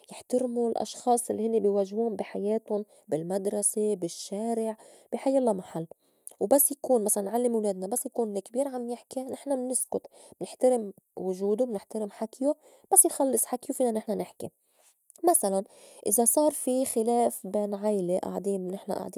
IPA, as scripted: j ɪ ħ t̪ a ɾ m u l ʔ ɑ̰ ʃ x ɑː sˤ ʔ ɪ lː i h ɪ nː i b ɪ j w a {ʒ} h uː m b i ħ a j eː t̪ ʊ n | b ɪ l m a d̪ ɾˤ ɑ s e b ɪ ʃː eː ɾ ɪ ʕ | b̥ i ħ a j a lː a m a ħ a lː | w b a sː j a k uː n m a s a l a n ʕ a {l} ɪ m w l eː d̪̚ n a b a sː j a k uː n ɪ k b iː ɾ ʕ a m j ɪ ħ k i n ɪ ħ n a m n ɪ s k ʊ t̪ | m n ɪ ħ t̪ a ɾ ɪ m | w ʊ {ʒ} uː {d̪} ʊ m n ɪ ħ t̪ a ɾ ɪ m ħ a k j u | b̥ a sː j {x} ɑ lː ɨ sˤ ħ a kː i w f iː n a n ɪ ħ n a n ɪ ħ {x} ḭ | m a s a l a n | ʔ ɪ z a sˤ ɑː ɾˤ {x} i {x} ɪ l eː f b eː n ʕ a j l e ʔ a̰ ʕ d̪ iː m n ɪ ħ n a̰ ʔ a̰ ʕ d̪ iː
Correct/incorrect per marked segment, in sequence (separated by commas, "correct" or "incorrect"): correct, incorrect, correct, correct, correct, incorrect, incorrect, correct